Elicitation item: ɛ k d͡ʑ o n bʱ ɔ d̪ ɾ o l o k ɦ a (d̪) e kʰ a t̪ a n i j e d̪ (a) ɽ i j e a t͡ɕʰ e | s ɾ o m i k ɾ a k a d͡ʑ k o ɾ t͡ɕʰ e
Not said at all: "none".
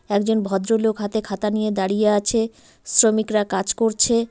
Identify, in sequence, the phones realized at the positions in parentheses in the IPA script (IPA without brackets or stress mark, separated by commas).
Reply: t̪, a